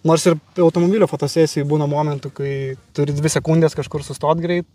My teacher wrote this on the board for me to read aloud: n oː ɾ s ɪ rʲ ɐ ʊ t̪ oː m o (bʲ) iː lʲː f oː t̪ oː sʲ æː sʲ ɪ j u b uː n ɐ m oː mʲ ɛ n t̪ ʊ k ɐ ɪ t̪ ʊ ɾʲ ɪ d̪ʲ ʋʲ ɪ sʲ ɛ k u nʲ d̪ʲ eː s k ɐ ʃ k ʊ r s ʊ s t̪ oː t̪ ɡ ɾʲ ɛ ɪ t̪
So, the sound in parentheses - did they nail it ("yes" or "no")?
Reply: yes